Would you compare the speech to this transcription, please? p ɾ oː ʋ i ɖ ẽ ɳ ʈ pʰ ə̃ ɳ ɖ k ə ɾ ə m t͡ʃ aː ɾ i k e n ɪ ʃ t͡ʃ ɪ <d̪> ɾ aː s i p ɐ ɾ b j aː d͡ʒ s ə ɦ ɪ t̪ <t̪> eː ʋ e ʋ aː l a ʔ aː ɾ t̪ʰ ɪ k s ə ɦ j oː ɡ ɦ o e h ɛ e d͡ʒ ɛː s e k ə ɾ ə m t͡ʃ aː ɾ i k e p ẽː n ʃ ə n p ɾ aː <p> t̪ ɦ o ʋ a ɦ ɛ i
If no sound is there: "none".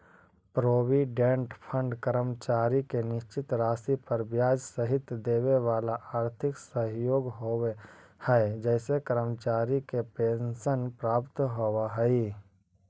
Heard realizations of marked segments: t̪, d̪, p

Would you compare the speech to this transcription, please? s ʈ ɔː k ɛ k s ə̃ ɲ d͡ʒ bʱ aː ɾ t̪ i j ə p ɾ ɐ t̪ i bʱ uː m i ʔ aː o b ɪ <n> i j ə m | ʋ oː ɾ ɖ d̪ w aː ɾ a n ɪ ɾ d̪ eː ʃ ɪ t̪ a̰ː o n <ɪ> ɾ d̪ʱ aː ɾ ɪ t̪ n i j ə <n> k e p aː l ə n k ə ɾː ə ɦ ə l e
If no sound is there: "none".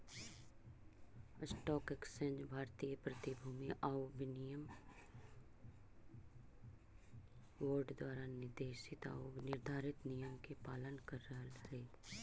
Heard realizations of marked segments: n, ɪ, m

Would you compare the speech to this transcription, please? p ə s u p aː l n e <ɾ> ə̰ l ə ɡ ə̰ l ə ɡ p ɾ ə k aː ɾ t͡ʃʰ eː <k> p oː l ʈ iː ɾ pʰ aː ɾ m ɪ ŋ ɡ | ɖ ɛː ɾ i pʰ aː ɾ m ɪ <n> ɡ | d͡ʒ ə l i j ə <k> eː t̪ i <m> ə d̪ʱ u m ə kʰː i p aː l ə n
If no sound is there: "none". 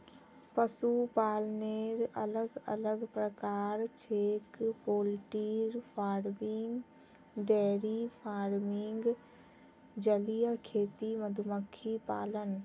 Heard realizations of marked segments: ɾ, k, ŋ, kʰ, m

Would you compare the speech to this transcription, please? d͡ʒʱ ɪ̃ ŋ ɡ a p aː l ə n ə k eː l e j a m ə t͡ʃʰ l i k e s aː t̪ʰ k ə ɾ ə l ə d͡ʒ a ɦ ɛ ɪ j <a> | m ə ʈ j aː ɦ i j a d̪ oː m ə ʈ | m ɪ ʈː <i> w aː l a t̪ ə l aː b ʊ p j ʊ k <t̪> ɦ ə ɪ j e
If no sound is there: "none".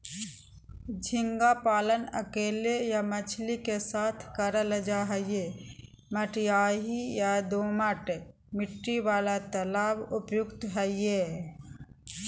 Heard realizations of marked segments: e, i, t̪

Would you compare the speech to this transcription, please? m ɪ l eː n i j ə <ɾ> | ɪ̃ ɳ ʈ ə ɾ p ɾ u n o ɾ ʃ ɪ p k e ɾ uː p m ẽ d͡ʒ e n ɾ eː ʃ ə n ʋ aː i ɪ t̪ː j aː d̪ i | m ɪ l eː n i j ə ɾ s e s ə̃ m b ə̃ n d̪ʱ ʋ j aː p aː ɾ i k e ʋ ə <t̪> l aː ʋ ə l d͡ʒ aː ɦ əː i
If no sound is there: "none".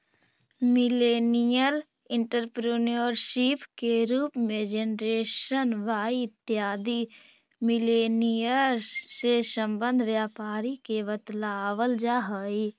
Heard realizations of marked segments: l, t̪

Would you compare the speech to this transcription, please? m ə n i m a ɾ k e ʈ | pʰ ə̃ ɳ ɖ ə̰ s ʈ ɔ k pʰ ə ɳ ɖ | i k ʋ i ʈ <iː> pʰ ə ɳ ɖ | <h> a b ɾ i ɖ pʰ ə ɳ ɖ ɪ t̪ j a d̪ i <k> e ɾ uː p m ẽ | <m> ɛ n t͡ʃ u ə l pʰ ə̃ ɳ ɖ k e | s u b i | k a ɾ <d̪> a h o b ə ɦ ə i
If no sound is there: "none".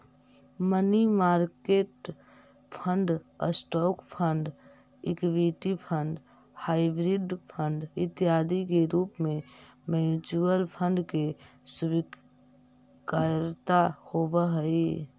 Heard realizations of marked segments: i, h, k, m, t̪

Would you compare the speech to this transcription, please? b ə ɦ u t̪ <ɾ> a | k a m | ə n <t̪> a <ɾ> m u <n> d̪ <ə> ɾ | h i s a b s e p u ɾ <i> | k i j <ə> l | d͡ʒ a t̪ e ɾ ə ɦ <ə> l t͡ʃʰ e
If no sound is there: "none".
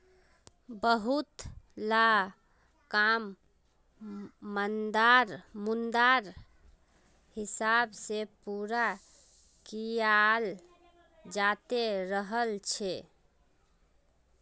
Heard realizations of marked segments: l, d̪, ɾ, n, a, a, a, ə

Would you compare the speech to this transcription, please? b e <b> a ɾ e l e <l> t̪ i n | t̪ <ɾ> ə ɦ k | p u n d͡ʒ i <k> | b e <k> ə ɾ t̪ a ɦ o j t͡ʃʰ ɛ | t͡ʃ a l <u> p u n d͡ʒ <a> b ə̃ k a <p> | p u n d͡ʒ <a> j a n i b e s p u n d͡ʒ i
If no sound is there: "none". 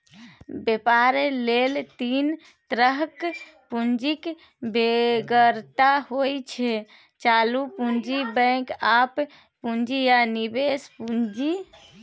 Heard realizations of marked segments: p, l, ɾ, k, ɡ, u, i, p, i

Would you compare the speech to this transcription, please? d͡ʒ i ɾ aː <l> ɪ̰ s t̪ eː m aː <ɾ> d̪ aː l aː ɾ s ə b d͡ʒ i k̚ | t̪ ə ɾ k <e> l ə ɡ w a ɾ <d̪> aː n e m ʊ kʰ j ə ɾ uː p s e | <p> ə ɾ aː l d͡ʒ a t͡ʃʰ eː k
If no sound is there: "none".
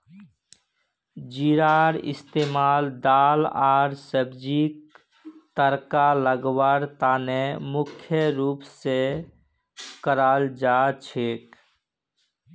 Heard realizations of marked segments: ɾ, l, a, t̪, k

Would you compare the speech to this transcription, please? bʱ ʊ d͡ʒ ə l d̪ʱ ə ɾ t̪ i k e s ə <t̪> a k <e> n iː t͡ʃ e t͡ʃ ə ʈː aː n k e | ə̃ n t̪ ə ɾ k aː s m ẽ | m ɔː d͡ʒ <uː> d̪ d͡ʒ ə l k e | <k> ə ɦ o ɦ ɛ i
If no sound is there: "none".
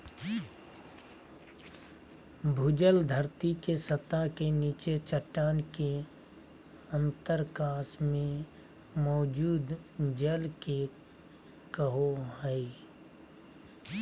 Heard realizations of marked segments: t̪, e, uː, k

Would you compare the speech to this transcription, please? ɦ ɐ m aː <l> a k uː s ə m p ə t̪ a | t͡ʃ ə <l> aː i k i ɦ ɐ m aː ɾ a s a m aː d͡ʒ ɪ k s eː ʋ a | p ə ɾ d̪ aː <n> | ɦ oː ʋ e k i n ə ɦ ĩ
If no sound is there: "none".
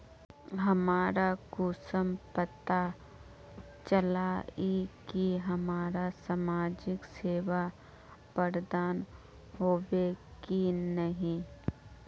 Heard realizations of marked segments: ɾ, l, n

